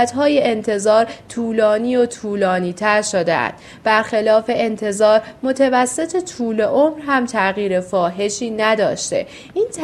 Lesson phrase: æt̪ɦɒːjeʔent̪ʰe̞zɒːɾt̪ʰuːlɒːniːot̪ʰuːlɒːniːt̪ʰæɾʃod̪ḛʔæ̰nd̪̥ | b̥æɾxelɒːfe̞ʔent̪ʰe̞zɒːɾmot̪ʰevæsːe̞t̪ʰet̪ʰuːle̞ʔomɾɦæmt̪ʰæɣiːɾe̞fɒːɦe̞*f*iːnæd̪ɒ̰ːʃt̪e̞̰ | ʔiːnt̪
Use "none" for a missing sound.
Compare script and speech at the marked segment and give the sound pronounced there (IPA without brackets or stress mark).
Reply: ʃ